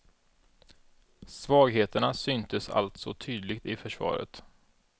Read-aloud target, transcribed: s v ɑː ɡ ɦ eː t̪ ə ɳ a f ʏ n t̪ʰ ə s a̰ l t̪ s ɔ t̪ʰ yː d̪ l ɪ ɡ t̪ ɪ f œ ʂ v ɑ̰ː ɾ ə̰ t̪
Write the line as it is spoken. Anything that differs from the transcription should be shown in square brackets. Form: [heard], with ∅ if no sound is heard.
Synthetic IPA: s v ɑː ɡ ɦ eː t̪ ə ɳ a [s] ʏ n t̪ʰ ə s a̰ l t̪ s ɔ t̪ʰ yː d̪ l ɪ ɡ t̪ ɪ f œ ʂ v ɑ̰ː ɾ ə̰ t̪